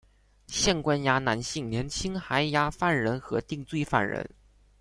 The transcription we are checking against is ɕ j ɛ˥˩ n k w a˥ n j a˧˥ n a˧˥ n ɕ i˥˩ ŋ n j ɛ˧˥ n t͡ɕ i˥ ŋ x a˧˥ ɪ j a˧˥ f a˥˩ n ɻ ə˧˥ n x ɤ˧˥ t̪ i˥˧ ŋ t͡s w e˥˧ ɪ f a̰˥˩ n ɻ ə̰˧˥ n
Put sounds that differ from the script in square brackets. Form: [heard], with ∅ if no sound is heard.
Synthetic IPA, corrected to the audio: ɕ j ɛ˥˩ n k w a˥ n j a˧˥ n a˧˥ n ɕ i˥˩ ŋ n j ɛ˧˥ n [t͡ɕʰ] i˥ ŋ x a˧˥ ɪ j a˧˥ f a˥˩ n ɻ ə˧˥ n x ɤ˧˥ t̪ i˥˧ ŋ t͡s w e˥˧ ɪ f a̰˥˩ n ɻ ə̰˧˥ n